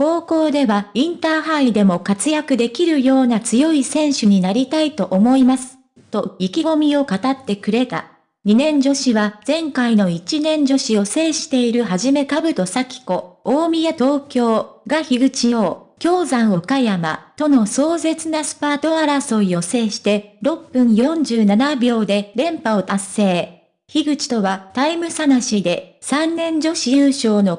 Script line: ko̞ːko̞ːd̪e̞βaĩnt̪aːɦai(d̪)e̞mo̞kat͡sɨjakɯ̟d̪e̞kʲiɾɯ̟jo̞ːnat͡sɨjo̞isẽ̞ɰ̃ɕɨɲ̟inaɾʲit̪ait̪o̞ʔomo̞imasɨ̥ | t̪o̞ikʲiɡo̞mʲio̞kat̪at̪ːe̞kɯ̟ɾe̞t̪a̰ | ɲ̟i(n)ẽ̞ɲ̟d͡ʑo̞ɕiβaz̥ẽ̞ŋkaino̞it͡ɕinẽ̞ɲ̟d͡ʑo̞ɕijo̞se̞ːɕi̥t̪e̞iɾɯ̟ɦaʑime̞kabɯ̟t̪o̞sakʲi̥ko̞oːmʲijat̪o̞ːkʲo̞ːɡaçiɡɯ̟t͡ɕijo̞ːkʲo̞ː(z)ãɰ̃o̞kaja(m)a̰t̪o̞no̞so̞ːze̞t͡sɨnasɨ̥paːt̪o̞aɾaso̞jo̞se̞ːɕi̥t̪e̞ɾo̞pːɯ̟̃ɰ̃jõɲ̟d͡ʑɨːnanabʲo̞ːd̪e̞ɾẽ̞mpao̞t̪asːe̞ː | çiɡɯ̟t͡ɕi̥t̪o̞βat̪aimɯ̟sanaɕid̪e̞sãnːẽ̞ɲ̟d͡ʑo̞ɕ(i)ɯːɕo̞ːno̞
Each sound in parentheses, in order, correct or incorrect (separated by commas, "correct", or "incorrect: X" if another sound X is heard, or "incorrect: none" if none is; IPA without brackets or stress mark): correct, correct, correct, correct, correct